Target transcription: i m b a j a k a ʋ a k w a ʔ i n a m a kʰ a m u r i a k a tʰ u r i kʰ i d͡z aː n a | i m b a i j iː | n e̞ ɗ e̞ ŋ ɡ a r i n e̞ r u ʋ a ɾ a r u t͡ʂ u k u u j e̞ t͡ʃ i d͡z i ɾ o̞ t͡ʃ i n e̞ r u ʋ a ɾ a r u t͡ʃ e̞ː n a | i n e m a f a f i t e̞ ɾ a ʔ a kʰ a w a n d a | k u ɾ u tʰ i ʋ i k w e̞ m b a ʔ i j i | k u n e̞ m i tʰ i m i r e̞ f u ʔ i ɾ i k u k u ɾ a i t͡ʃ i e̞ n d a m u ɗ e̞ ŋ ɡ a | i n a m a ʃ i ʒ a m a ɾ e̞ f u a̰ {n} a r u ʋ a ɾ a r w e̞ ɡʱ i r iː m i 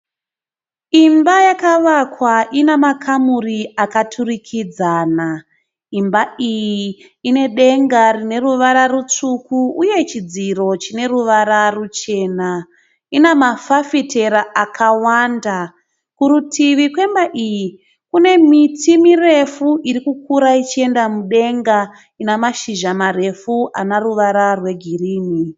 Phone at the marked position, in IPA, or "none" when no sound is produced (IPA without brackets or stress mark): n